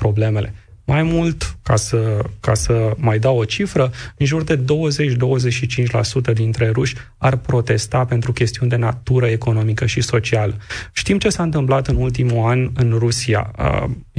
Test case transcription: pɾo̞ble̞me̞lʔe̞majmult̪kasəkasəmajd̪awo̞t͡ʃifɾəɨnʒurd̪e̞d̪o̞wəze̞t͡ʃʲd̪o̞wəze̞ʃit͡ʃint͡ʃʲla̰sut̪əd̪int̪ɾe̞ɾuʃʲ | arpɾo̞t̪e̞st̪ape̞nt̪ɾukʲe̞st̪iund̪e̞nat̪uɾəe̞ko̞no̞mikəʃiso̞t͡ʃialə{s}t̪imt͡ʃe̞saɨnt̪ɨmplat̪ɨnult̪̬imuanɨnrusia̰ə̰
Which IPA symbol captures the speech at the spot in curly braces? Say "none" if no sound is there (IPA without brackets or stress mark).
ʃ